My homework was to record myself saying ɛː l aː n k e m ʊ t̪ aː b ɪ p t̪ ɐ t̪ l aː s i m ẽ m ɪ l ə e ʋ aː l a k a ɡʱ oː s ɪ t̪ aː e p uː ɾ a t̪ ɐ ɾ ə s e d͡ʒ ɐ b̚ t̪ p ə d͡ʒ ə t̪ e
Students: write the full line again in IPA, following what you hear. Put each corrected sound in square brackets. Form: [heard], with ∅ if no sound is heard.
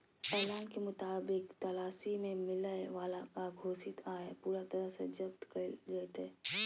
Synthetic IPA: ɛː l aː n k e m ʊ t̪ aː b ɪ [k] t̪ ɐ [∅] l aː s i m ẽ m ɪ l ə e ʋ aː l a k a ɡʱ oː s ɪ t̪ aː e p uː ɾ a t̪ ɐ ɾ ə s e d͡ʒ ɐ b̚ t̪ [k] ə d͡ʒ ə t̪ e